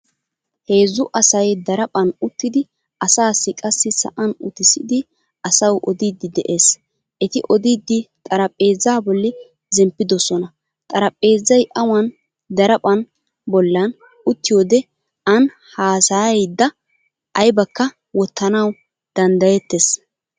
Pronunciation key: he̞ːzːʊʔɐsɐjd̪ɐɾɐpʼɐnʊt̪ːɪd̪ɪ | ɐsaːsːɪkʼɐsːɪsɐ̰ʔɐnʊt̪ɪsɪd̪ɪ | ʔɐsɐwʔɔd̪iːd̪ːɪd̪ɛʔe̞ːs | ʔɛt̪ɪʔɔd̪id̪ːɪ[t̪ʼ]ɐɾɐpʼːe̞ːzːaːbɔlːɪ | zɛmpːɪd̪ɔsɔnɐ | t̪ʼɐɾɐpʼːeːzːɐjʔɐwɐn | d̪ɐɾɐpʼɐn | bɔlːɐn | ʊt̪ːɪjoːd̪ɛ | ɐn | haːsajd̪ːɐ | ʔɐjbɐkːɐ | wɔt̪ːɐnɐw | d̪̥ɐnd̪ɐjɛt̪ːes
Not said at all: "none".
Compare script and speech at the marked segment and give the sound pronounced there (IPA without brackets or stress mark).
t̪ʼ